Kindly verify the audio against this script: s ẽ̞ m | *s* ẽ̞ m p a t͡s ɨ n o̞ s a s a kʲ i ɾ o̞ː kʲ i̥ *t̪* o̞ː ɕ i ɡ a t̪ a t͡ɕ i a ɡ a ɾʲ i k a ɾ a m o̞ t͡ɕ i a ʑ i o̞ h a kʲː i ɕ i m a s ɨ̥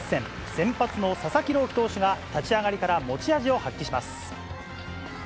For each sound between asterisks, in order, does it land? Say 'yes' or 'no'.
yes, yes

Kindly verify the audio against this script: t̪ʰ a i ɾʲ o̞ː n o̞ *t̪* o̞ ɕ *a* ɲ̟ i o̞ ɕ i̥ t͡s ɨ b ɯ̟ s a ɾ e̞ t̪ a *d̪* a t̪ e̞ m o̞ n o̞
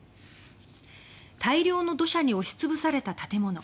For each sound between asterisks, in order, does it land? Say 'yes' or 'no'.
no, yes, no

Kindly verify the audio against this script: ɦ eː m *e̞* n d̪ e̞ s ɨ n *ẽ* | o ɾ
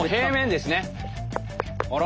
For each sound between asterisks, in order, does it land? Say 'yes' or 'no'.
no, no

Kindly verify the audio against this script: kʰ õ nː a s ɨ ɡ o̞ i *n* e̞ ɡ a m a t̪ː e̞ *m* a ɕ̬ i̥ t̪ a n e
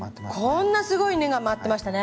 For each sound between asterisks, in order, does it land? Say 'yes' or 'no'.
yes, yes

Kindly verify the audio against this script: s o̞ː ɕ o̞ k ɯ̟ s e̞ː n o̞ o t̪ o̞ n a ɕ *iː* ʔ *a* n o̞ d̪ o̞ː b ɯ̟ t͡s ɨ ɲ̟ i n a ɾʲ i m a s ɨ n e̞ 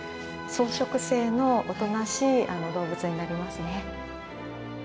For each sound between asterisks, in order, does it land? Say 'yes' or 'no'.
yes, yes

